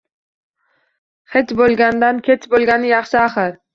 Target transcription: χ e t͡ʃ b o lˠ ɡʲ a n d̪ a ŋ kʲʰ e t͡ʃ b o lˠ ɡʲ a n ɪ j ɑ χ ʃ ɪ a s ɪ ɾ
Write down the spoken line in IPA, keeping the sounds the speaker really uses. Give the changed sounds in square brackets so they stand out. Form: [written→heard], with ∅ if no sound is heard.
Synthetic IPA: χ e t͡ʃ b o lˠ ɡʲ a n d̪ a [ŋ→n] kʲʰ e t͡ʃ b o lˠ ɡʲ a n ɪ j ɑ χ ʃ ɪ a [s→χ] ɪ ɾ